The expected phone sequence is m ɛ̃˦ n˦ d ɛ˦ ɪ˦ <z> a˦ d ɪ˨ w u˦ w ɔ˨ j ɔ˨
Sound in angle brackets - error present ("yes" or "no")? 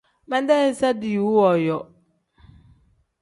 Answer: yes